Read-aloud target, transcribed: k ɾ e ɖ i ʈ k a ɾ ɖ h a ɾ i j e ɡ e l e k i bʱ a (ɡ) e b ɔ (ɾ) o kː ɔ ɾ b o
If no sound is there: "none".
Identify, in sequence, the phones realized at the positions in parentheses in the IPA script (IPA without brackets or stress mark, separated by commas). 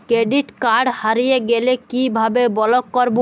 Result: b, l